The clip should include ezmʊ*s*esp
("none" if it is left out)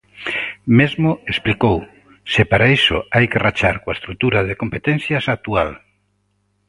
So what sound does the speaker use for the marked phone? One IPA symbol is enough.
none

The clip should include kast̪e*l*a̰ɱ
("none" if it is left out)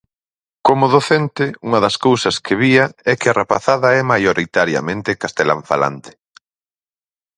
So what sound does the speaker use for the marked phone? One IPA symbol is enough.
l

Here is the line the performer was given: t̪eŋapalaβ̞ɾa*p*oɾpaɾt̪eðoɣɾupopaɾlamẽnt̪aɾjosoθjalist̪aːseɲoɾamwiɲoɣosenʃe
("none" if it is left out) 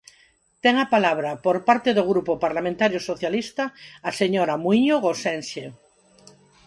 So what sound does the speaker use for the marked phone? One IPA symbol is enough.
p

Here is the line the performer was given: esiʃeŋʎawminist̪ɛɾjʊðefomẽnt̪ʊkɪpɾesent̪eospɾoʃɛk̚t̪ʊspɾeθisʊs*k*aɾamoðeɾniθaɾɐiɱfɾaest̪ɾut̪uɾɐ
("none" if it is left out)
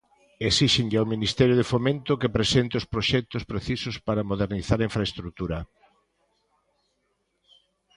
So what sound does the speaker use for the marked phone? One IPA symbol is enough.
p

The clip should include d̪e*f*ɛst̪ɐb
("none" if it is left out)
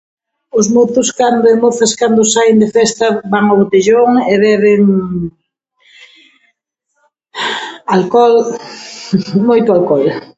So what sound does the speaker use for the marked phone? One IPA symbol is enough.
f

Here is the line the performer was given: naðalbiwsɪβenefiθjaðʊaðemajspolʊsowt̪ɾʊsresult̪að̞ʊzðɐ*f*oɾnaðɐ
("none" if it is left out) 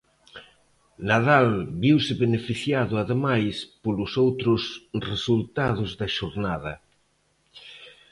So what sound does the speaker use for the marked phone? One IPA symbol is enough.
ʃ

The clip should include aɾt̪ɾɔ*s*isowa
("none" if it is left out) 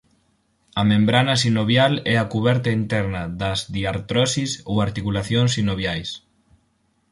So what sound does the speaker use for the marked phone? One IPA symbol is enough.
s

